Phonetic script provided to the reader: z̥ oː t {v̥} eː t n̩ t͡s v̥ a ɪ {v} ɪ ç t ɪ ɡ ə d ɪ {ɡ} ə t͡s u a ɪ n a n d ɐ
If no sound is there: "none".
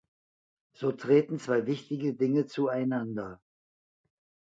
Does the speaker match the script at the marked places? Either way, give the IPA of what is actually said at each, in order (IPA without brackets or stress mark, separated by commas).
ʁ̥, v, ŋ